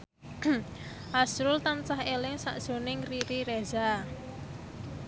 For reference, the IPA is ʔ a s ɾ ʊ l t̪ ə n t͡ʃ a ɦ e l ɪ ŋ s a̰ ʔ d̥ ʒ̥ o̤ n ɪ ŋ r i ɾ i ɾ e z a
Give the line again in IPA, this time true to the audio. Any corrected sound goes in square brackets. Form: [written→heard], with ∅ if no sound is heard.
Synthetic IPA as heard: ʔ a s ɾ ʊ l t̪ [ə→a] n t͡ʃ a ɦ e l ɪ ŋ s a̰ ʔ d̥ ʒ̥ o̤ n ɪ ŋ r i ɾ i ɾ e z a